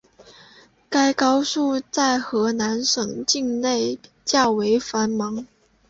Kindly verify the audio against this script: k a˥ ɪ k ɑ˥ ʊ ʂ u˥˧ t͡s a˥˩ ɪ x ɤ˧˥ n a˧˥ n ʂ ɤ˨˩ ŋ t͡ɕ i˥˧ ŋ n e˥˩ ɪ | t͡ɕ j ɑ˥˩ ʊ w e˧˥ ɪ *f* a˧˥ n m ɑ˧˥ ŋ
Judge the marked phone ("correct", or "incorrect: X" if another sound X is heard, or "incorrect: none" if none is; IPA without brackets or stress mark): correct